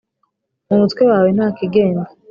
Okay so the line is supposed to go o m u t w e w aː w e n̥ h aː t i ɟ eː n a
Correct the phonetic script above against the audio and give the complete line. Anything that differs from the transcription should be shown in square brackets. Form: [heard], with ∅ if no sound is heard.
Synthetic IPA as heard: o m u t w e w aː w e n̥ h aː [k] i [ɡ] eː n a